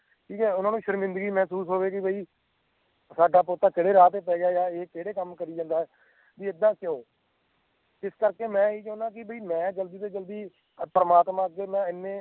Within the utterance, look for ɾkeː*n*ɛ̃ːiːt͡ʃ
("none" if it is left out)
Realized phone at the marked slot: m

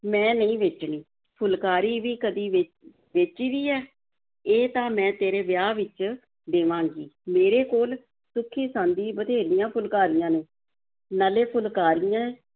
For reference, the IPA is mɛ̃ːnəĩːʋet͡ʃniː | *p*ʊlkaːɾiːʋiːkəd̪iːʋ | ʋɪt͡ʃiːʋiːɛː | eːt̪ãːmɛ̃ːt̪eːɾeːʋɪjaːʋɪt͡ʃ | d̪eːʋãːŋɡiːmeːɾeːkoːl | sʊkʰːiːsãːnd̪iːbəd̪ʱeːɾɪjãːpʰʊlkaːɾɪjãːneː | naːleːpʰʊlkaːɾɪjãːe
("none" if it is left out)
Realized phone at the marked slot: pʰ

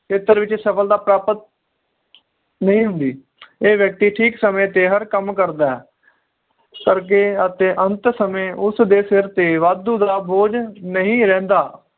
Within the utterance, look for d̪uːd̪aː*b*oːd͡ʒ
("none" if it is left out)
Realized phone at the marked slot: b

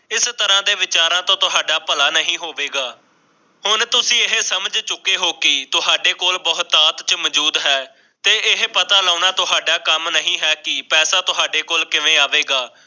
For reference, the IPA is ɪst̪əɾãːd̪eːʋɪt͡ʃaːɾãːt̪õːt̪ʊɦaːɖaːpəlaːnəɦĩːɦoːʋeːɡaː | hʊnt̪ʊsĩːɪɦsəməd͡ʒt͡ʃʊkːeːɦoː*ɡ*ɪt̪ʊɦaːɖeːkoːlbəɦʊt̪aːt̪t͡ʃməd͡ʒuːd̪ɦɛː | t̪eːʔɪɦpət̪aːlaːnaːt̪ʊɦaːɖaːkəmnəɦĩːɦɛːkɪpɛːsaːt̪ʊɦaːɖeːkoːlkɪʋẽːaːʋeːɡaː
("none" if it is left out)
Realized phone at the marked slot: k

